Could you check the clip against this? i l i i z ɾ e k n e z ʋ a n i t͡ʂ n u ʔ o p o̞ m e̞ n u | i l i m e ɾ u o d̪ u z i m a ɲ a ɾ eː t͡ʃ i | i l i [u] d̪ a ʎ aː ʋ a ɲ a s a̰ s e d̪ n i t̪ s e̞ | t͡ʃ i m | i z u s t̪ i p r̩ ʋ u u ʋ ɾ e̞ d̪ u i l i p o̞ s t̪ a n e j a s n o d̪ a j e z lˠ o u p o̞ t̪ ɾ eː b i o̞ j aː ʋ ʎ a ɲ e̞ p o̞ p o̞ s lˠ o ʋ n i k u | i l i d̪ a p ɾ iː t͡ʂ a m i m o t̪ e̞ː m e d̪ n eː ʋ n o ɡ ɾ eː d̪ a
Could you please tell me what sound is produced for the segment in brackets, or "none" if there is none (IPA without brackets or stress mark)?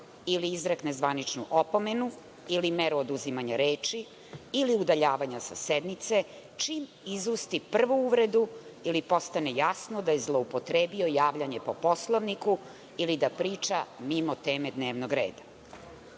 u